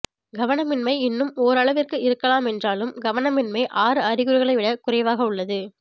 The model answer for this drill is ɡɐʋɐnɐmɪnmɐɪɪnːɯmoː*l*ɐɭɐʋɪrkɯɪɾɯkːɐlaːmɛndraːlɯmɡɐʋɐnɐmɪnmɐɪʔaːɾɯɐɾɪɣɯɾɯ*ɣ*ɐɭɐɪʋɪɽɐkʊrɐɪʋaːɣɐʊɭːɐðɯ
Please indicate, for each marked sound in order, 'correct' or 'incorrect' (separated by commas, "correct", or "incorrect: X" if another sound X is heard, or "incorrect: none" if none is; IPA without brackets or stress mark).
incorrect: ɾ, correct